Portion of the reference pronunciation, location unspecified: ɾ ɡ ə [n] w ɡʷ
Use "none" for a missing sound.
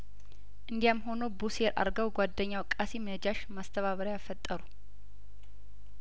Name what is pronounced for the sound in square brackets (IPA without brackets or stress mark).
none